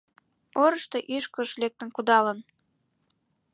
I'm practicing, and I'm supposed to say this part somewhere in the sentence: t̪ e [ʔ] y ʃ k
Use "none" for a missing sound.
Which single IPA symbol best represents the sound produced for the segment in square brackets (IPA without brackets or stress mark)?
ʔ